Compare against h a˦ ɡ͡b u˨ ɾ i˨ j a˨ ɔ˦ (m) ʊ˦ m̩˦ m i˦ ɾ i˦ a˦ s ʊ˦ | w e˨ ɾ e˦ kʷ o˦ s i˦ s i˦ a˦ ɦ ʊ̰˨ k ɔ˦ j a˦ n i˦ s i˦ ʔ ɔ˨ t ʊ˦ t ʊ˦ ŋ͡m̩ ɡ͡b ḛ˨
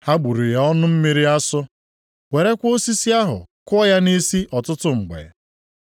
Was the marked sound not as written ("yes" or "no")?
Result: yes